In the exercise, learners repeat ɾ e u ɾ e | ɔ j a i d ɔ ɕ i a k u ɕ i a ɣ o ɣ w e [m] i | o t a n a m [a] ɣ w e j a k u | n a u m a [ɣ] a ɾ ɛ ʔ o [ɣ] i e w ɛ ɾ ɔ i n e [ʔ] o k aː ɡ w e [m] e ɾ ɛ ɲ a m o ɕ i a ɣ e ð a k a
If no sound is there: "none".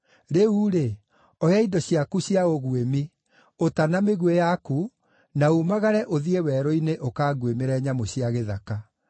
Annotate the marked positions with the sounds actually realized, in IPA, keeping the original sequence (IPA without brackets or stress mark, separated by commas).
m, e, ɣ, ð, ʔ, m